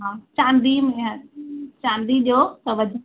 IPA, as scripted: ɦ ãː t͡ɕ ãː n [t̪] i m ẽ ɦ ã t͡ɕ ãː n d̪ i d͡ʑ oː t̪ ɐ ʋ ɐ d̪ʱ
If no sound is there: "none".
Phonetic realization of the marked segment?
d̪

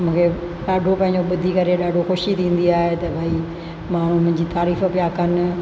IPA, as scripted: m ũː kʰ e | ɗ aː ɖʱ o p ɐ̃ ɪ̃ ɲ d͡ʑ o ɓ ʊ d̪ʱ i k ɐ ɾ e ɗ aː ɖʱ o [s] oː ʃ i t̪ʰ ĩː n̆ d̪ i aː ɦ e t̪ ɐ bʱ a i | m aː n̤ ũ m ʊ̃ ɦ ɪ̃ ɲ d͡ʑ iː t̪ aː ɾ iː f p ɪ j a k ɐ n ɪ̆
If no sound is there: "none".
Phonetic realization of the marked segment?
x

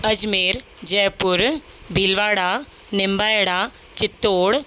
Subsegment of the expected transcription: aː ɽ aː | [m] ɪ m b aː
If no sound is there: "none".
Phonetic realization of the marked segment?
n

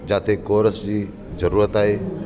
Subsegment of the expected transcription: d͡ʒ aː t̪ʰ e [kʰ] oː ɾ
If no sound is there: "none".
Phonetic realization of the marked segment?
k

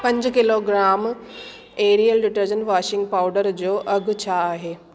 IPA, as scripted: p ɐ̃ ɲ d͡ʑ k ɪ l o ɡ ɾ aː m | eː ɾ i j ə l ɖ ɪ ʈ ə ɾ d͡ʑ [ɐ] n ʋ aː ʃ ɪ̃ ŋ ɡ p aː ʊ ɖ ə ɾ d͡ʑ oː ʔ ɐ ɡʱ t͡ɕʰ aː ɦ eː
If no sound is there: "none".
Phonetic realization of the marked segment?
ə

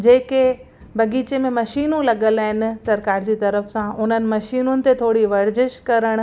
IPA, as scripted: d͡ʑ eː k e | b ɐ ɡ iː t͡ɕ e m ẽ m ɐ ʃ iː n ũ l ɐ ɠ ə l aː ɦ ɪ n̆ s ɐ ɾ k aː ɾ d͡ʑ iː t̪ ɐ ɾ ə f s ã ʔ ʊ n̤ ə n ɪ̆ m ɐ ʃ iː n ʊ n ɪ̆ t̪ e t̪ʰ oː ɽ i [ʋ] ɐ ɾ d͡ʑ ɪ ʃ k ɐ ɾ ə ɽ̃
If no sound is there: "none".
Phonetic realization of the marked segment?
ʋ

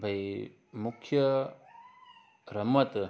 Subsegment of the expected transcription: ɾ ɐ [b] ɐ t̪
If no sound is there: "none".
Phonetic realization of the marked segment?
m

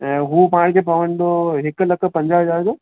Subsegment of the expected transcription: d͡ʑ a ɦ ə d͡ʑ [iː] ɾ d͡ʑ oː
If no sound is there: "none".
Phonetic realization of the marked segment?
aː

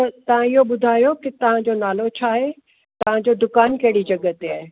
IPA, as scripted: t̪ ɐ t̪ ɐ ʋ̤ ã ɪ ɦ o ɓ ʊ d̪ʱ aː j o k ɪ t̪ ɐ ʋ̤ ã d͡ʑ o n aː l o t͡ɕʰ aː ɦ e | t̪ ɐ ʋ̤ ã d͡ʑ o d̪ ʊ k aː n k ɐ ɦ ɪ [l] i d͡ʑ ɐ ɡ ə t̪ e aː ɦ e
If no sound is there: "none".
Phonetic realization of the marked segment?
ɽ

